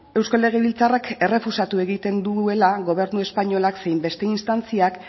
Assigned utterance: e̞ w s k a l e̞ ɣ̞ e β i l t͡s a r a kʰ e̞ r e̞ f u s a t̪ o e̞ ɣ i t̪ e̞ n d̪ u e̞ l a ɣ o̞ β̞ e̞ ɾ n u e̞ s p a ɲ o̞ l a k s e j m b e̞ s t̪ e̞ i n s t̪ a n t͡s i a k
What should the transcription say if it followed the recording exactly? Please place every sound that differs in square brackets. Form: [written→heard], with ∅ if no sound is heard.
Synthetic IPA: e̞ w s k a l e̞ ɣ̞ e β i l t͡s a r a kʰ e̞ r e̞ f u s a t̪ [o→u] e̞ ɣ i t̪ e̞ n d̪ u e̞ l a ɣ o̞ β̞ e̞ ɾ n u e̞ s p a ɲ o̞ l a k s e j m b e̞ s t̪ e̞ i n s t̪ a n t͡s i a k